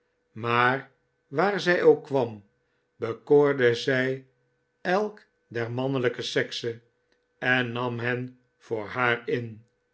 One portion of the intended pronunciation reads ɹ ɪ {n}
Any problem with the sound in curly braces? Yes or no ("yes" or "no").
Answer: no